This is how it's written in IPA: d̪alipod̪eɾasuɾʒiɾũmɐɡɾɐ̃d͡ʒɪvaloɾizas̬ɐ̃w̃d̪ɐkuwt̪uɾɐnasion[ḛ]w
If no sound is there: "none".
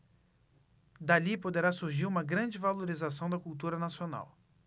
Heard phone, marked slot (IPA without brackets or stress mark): a̰